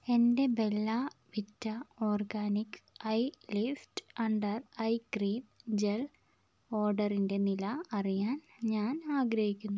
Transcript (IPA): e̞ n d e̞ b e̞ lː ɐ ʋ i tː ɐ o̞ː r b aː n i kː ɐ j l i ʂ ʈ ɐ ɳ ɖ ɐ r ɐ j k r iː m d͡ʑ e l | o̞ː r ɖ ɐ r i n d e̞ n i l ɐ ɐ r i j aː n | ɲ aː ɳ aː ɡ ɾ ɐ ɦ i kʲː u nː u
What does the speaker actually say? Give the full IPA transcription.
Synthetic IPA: e̞ n d e̞ b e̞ lː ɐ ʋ i tː ɐ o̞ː r ɡ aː n i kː ɐ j l i f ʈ ɐ ɳ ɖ ɐ r ɐ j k r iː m d͡ʑ e l | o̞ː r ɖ ɐ r i n d e̞ n i l ɐ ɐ r i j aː n | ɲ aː n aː ɡ ɾ ɐ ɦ i kʲː u nː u

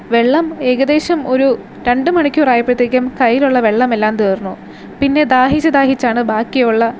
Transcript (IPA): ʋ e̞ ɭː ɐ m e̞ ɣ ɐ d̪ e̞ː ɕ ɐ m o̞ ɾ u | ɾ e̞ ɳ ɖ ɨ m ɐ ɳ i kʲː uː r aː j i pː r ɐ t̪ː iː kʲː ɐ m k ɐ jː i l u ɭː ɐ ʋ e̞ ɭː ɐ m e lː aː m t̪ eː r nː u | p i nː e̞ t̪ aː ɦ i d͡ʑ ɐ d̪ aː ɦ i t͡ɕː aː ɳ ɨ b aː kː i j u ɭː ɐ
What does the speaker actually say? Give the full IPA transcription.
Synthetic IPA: ʋ e̞ ɭː ɐ m e̞ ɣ ɐ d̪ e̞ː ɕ ɐ m o̞ ɾ u | ɾ e̞ ɳ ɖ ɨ m ɐ ɳ i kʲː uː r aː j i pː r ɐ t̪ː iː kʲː ɐ m k ɐ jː i l u ɭː ɐ ʋ e̞ ɭː ɐ m e lː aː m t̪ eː r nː u | p i nː e̞ d̪ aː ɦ i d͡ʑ ɐ d̪ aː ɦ i t͡ɕː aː ɳ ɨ b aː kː i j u ɭː ɐ

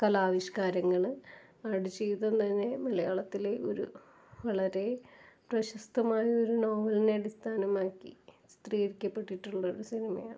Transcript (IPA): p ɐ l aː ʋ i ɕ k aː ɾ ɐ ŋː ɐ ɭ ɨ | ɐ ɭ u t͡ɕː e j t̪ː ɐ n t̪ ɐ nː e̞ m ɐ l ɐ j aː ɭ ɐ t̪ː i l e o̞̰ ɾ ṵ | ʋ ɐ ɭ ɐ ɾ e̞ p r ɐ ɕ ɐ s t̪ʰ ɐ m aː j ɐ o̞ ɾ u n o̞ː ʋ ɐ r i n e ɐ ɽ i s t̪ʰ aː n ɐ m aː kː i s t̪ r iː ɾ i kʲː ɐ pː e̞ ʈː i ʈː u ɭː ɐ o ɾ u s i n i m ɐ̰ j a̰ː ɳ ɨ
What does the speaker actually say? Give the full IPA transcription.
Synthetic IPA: k ɐ l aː ʋ i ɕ k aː ɾ ɐ ŋː ɐ ɭ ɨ | ɐ ɽ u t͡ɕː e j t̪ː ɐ n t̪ ɐ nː e̞ m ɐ l ɐ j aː ɭ ɐ t̪ː i l e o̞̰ ɾ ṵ | ʋ ɐ ɭ ɐ ɾ e̞ p r ɐ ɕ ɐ s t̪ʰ ɐ m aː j ɐ o̞ ɾ u n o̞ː ʋ ɐ l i n e ɐ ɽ i s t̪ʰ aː n ɐ m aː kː i s t̪ r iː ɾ i kʲː ɐ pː e̞ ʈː i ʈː u ɭː ɐ o ɾ u s i n i m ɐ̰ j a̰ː ɳ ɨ

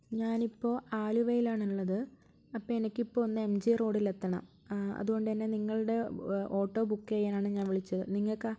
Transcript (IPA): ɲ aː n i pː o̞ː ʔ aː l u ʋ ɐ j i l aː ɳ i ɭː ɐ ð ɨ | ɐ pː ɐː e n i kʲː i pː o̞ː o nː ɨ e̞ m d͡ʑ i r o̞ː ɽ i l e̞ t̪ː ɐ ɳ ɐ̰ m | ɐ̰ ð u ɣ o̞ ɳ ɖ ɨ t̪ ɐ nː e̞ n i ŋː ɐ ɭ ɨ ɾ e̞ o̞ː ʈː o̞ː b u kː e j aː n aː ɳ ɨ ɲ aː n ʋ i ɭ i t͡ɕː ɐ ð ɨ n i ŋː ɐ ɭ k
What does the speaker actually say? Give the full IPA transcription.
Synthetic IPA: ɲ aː n i pː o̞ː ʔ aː l u ʋ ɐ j i l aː ɳ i ɭː ɐ ð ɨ | ɐ pː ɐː e n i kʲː i pː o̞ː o nː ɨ e̞ m d͡ʑ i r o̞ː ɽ i l e̞ t̪ː ɐ ɳ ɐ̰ m | ɐ̰ ð u ɣ o̞ ɳ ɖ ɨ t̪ ɐ nː e̞ n i ŋː ɐ ɭ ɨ ɽ e̞ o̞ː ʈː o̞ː b u kː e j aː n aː ɳ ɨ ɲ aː n ʋ i ɭ i t͡ɕː ɐ ð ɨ n i ŋː ɐ ɭ k

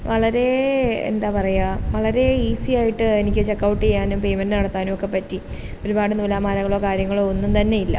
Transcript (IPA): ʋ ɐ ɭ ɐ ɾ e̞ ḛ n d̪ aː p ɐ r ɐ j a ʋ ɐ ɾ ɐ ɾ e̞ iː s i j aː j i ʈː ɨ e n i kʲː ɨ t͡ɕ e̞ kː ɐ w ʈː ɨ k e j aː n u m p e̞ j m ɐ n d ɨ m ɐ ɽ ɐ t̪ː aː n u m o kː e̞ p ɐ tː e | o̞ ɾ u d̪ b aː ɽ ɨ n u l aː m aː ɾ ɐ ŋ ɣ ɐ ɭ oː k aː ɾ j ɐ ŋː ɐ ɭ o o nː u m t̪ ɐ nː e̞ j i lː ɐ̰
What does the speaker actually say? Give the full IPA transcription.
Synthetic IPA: ʋ ɐ ɭ ɐ ɾ e̞ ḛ n d̪ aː p ɐ r ɐ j a ʋ ɐ ɭ ɐ ɾ e̞ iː s i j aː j i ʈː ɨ e n i kʲː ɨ t͡ɕ e̞ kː ɐ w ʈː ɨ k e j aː n u m p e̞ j m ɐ n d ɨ n ɐ ɽ ɐ t̪ː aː n u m o kː e̞ p ɐ tː i | o̞ ɾ u b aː ɽ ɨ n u l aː m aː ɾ ɐ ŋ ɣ ɐ ɭ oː k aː ɾ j ɐ ŋː ɐ ɭ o o nː u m t̪ ɐ nː e̞ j i lː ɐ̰

